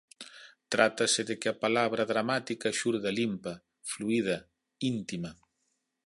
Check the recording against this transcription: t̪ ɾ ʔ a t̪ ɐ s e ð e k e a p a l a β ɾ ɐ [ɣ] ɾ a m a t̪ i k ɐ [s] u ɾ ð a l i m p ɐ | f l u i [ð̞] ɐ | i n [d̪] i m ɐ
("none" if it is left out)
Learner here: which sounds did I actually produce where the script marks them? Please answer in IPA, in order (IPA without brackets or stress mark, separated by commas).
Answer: ð, ʃ, ð̞, t̪